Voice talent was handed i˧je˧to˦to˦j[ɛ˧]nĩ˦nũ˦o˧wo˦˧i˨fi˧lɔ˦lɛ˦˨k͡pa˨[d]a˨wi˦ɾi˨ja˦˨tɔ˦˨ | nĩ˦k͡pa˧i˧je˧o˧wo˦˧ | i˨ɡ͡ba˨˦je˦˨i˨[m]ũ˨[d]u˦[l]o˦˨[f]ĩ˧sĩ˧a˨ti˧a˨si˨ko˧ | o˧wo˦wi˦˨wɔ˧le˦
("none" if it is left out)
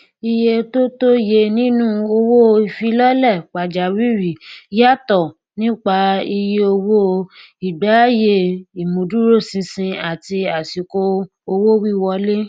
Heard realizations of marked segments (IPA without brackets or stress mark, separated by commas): e˧, d͡ʒ, m, d, ɾ, s